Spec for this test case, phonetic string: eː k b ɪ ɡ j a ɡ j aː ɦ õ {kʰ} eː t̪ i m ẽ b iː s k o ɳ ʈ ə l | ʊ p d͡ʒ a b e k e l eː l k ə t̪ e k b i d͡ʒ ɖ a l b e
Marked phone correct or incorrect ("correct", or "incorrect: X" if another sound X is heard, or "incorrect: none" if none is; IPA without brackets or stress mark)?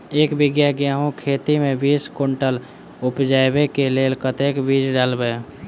correct